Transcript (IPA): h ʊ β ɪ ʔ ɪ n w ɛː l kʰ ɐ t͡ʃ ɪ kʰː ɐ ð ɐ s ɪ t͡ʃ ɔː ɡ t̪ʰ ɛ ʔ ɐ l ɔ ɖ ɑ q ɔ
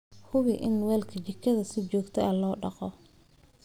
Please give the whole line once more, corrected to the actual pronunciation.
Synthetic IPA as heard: h ʊ β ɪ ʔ ɪ n w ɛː l kʰ ɐ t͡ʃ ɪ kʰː ɐ ð ɐ s ɪ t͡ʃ ɔː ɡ t̪ʰ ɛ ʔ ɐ l ɔː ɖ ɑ q ɔ